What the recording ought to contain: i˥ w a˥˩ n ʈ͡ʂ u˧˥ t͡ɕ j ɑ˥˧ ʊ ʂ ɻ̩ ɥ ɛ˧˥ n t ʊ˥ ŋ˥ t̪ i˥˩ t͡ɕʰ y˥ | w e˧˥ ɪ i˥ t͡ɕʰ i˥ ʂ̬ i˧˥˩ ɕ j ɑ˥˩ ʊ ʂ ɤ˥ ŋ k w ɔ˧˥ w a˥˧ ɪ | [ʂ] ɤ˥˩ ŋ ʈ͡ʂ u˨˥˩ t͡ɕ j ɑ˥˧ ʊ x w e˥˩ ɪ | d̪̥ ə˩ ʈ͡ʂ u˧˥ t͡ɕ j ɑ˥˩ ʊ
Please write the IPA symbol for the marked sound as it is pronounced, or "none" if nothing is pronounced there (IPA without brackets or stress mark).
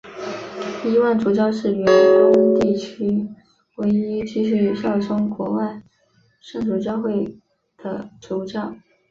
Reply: ʂ